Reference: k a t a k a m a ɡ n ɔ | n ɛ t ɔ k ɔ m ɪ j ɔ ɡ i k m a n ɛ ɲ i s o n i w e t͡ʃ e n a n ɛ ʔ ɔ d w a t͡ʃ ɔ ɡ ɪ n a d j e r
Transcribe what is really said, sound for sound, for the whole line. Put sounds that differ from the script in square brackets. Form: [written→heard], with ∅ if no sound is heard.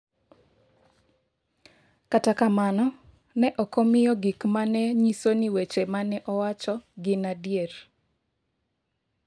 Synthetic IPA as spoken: k a t a k a m a [ɡ→∅] n ɔ | n ɛ [t→ʔ] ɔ k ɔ m ɪ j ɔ ɡ i k m a n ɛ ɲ i s o n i w e t͡ʃ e [n→m] a n ɛ ʔ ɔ [d→∅] w a t͡ʃ ɔ ɡ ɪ n a d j e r